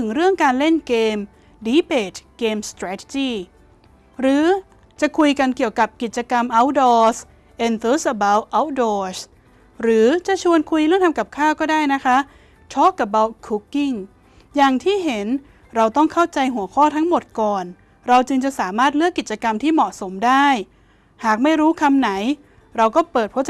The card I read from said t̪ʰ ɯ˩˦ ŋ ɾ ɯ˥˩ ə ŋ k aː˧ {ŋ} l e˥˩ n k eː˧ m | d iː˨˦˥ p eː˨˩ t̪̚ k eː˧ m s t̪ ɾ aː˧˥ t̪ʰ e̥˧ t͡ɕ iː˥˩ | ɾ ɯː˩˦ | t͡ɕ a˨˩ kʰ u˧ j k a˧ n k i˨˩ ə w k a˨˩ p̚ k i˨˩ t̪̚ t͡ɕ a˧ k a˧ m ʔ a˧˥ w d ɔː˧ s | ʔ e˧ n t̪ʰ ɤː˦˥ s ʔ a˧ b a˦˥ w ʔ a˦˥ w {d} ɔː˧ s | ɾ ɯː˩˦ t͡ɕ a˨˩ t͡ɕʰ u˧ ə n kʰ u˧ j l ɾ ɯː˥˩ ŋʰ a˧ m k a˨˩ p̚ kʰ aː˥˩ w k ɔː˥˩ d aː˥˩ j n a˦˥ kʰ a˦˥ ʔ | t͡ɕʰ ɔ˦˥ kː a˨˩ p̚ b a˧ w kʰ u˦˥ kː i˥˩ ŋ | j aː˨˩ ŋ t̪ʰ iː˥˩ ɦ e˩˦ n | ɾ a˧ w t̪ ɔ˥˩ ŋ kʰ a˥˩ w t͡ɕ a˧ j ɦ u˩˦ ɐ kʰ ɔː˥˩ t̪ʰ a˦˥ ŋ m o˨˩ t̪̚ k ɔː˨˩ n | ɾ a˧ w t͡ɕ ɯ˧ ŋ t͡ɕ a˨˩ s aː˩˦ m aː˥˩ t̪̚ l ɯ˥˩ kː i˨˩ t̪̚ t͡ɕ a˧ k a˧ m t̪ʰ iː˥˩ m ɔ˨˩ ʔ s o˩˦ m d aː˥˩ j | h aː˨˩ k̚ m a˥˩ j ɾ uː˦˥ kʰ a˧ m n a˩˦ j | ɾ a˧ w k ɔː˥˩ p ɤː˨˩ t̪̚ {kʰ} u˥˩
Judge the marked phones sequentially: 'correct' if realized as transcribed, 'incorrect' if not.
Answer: incorrect: n, correct, incorrect: pʰ

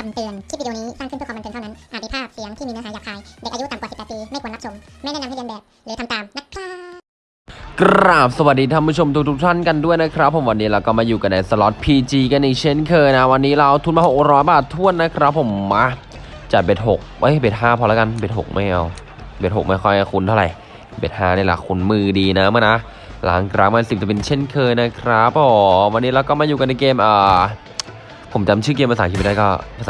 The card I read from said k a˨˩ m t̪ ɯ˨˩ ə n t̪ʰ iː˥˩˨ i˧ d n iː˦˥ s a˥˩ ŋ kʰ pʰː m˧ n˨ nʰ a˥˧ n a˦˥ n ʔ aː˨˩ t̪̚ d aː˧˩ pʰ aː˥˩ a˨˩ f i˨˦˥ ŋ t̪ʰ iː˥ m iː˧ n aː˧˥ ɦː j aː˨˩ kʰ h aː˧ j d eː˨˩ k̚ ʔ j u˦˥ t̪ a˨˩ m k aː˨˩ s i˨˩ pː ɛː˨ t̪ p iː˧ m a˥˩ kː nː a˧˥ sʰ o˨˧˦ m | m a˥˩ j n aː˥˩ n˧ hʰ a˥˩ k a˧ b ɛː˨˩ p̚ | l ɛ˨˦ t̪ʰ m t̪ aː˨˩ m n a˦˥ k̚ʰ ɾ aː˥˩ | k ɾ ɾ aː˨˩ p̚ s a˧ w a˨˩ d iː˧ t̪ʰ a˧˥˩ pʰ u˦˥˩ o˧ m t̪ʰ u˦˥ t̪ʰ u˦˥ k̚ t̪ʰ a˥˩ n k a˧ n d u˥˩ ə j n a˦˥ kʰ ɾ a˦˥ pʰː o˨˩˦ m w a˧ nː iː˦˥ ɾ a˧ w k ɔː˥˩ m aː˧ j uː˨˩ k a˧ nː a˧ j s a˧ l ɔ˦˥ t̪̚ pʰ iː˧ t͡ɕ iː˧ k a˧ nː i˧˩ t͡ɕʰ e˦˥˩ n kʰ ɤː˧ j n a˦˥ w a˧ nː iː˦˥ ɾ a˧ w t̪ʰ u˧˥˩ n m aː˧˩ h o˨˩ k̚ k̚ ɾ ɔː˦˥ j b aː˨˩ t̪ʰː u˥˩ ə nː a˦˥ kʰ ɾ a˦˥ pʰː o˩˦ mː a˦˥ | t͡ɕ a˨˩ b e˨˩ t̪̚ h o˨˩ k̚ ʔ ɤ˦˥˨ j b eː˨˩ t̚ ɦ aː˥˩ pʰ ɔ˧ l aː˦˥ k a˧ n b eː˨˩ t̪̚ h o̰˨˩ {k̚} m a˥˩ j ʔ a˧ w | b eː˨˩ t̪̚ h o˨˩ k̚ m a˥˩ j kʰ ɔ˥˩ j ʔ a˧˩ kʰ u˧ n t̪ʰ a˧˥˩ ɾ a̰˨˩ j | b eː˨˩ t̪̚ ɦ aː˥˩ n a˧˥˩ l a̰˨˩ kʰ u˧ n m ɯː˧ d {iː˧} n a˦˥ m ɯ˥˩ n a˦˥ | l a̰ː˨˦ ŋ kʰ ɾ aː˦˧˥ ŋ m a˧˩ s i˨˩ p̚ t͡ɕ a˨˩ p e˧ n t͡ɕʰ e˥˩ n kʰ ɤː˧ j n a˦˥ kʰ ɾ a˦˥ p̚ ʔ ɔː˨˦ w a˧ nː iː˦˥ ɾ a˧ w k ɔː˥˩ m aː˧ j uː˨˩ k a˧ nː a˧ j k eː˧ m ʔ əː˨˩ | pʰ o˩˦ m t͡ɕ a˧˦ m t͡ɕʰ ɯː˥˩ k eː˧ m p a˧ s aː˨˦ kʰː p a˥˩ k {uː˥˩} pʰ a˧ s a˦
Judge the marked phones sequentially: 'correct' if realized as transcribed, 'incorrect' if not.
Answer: correct, correct, incorrect: ɔː˥˩

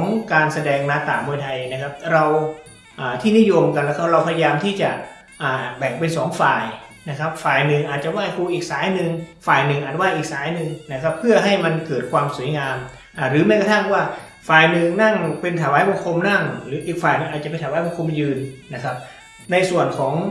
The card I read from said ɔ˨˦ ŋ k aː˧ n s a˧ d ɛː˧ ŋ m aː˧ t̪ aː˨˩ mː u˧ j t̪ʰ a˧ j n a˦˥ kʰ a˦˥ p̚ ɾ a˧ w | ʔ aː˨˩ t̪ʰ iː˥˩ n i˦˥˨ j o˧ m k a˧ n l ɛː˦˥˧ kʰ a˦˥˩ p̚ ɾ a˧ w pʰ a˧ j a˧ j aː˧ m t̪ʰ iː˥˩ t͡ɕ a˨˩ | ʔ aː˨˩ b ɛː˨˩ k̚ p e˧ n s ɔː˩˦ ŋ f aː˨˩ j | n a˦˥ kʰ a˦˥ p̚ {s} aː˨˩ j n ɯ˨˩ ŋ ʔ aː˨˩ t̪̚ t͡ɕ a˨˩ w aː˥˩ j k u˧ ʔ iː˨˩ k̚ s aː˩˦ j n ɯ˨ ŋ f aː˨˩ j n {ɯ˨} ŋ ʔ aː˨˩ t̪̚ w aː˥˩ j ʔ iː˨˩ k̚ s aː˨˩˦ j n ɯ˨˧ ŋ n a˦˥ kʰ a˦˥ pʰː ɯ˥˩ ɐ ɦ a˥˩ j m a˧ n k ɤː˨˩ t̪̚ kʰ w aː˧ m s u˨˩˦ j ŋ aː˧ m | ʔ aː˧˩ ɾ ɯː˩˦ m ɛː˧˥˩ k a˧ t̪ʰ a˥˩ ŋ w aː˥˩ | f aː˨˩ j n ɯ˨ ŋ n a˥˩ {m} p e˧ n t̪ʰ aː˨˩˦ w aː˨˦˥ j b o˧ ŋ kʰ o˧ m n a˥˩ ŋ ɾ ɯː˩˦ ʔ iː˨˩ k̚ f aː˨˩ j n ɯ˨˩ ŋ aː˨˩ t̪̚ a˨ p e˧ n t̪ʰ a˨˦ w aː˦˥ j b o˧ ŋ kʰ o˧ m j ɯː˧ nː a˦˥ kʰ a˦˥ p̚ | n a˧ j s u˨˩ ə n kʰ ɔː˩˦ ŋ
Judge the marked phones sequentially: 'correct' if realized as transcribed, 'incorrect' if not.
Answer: incorrect: f, correct, incorrect: ŋ

